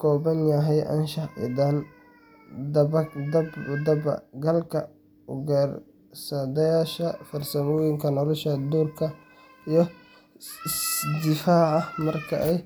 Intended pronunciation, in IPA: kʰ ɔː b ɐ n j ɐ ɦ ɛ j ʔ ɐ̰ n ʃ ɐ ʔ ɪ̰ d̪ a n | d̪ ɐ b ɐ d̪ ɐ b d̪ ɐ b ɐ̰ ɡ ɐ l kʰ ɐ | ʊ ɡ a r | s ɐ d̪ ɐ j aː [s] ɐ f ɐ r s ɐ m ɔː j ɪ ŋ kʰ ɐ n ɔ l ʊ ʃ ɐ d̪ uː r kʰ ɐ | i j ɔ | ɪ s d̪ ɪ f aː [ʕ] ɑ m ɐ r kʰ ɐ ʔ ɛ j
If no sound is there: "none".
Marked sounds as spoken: ʃ, ʕ

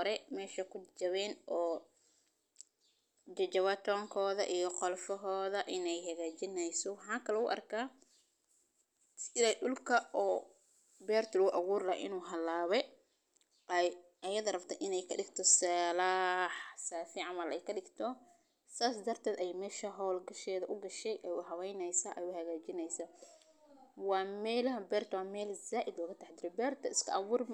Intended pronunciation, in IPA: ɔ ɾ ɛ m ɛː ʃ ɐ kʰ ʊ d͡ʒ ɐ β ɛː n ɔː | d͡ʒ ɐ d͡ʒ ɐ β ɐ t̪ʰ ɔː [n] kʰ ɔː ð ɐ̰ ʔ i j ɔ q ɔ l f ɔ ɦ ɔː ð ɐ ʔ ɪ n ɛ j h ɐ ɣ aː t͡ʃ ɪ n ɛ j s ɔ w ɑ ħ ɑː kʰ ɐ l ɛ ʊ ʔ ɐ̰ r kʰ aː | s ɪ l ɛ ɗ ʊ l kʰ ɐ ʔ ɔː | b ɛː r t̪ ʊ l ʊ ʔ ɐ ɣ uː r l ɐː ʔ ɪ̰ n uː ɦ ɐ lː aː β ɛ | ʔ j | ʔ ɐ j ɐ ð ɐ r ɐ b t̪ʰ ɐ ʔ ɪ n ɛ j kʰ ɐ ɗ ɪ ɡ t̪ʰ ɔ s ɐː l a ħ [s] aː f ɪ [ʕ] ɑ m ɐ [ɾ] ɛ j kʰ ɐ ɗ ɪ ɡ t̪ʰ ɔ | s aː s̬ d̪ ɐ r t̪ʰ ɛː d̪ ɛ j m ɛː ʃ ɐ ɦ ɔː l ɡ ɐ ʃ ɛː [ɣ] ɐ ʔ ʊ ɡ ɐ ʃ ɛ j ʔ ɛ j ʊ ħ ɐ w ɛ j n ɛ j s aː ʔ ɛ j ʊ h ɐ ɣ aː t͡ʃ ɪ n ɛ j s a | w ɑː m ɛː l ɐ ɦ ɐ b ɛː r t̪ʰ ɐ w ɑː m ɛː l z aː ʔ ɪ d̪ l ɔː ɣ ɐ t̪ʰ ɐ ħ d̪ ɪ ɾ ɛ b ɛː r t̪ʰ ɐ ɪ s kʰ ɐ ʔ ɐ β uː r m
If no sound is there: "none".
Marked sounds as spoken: ŋ, s, ʕ, l, ð

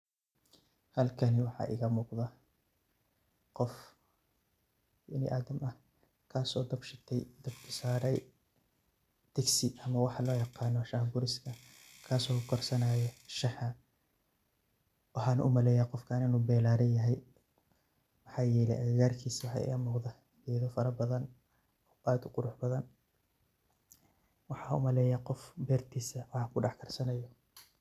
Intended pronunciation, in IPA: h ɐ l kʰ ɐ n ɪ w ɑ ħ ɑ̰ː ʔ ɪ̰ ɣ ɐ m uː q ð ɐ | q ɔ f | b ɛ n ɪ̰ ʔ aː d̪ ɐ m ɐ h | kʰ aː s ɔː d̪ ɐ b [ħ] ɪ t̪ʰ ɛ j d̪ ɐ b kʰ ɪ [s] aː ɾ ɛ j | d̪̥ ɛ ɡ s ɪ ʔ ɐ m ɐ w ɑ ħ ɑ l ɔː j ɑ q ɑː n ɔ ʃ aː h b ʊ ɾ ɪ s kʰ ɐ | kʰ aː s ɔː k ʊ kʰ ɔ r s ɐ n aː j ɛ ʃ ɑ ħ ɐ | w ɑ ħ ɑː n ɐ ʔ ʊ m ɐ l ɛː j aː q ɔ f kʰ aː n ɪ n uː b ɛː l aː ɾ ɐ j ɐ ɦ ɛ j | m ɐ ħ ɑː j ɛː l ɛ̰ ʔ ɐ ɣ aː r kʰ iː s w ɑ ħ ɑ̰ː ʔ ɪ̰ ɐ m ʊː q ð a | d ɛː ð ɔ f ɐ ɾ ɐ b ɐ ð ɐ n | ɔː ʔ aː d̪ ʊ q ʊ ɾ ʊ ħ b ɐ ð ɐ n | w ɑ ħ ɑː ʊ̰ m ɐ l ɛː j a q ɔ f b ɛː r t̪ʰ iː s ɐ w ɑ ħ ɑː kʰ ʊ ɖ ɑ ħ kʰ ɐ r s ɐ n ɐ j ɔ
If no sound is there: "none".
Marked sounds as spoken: ʃ, s

